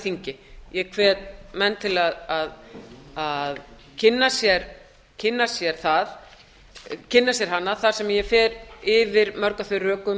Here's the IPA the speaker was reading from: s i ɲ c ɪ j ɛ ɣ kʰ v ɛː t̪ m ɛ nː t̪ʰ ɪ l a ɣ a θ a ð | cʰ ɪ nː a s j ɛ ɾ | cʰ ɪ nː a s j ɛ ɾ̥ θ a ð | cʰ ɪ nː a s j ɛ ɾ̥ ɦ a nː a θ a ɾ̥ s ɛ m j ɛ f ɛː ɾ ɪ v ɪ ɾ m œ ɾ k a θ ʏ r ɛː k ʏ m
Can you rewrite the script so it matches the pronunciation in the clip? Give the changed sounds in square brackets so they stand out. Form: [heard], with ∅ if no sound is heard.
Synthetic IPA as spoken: [θ] i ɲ c ɪ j ɛ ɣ kʰ v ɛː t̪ m ɛ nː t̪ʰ ɪ l a [ð] a [ð] a ð | cʰ ɪ nː a s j ɛ ɾ | cʰ ɪ nː a s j ɛ ɾ̥ θ a ð | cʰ ɪ nː a s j ɛ ɾ̥ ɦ a nː a θ a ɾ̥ s ɛ m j ɛ f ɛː ɾ ɪ v ɪ ɾ m œ ɾ k a θ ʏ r [œː] k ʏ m

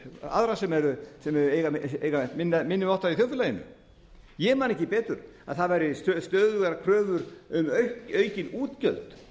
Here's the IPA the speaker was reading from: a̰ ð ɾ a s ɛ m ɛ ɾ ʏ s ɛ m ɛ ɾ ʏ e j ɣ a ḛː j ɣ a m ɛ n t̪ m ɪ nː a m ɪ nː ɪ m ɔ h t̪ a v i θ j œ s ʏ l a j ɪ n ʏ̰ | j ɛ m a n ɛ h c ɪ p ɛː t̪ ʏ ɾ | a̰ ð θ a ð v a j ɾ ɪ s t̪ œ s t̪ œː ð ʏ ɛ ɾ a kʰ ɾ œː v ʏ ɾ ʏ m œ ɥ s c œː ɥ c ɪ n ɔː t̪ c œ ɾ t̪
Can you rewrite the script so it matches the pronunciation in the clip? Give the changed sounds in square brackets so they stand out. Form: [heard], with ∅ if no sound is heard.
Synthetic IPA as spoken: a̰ ð ɾ a s ɛ m ɛ ɾ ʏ s ɛ m ɛ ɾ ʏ e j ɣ a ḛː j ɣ a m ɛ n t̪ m ɪ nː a m ɪ nː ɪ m ɔ h t̪ a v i θ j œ [f] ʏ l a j ɪ n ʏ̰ | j ɛ m a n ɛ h c ɪ p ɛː t̪ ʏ ɾ | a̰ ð θ a ð v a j ɾ ɪ s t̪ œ s t̪ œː ð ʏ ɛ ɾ a kʰ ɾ œː v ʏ ɾ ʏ m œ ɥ [h] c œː ɥ c ɪ n [uː] t̪ c œ [l] t̪

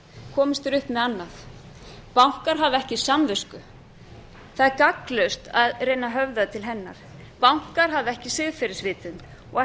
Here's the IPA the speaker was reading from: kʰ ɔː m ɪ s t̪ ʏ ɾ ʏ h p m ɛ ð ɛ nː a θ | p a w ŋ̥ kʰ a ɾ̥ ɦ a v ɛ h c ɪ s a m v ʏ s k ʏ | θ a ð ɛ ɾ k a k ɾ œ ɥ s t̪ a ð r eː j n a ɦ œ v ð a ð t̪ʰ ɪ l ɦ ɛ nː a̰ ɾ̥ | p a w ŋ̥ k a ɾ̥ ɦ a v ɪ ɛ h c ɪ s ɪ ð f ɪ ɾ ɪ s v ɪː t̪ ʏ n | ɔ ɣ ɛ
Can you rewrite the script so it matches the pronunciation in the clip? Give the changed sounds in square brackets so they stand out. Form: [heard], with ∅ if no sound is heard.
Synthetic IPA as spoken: kʰ ɔː m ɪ s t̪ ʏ ɾ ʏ h p m ɛ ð [a] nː a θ | p a w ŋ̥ [k] a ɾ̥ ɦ a v ɛ h c ɪ s a m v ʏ s k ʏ | θ a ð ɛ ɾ k a k [l] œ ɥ s t̪ a ð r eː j n a ɦ œ v ð a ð t̪ʰ ɪ l ɦ ɛ nː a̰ ɾ̥ | p a w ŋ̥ k a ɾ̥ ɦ a v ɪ ɛ h c ɪ s ɪ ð f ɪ ɾ ɪ s v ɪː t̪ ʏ n | ɔ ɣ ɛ

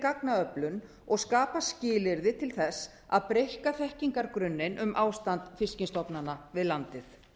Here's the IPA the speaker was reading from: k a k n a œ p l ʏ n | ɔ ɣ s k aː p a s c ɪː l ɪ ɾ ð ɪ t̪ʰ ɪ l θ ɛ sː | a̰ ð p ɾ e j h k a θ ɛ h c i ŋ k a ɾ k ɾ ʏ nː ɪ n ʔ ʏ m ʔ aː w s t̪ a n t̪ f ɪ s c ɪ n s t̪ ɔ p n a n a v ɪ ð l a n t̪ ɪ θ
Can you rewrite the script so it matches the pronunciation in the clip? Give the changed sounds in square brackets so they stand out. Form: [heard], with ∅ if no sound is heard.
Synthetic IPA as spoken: k a k n a œ p l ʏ n | ɔ ɣ s k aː p a s c ɪː l ɪ ɾ ð ɪ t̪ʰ ɪ l θ ɛ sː | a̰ ð p ɾ e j h k a θ ɛ h c i ŋ k a ɾ k ɾ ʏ nː ɪ n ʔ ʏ m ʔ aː w s t̪ a n t̪ f ɪ s c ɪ n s t̪ ɔ p n a n a v ɪ ð l a n t̪ ɪ θ

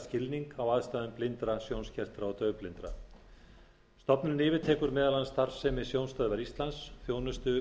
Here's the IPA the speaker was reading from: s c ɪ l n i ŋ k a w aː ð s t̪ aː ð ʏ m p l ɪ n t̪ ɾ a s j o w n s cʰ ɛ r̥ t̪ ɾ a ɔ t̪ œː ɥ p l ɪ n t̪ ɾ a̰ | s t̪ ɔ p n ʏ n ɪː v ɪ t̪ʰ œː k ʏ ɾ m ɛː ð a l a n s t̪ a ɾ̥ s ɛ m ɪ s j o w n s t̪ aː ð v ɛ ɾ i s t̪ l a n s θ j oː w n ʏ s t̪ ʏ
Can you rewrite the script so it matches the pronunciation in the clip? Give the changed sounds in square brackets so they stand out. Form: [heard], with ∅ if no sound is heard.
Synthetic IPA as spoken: s c ɪ l n i ŋ k a w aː ð s t̪ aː ð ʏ m p l ɪ n t̪ ɾ a s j o w n s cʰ ɛ r̥ t̪ ɾ a ɔ t̪ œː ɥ p l ɪ n t̪ ɾ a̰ | s t̪ ɔ p n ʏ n ɪː v ɪ t̪ʰ [ɛː] k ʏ ɾ m ɛː ð a l a n s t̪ a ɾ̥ s ɛ m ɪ s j o w n s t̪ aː ð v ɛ ɾ i s t̪ l a n s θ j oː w n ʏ s t̪ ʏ

